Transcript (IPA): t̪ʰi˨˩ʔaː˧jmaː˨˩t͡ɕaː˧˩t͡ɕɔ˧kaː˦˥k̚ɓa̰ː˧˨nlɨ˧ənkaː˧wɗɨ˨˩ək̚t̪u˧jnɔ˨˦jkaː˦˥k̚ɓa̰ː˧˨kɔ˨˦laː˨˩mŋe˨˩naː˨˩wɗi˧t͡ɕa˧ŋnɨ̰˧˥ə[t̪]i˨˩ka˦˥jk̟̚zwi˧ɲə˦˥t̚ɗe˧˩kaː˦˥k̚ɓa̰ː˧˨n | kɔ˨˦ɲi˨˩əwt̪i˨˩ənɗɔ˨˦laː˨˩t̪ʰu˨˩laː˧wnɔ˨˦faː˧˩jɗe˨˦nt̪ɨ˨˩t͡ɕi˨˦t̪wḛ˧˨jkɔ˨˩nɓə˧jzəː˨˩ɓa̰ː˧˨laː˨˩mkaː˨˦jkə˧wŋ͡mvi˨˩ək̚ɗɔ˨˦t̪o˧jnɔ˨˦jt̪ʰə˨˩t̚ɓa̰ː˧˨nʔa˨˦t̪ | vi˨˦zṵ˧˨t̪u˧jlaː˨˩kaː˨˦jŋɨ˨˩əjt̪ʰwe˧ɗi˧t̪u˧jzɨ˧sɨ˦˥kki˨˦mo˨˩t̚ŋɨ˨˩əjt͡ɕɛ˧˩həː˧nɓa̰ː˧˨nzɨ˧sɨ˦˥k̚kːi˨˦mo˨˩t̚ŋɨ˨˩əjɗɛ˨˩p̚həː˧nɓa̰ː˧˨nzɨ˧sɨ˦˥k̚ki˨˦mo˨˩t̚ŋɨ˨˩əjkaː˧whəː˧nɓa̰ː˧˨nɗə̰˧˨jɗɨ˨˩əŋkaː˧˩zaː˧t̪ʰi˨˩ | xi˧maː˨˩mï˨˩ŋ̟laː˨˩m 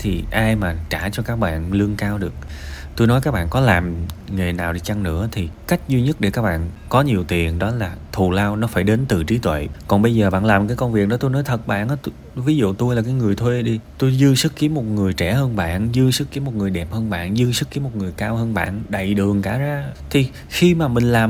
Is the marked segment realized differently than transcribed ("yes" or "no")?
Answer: yes